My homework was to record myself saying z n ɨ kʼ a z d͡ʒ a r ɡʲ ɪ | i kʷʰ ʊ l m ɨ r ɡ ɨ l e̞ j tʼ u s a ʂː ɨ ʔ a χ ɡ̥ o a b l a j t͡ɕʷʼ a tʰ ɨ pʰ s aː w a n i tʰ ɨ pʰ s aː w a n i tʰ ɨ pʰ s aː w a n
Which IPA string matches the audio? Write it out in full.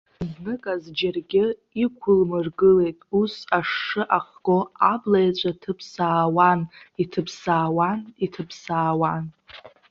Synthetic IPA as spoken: z n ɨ kʼ a z d͡ʒ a r ɡʲ ɪ | i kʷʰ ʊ l m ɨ r ɡ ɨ l e̞ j tʼ u s a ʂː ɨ ʔ a χ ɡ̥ o a b l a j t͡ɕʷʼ a tʰ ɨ pʰ s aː w a n i tʰ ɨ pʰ s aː w a n i tʰ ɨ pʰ s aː w a n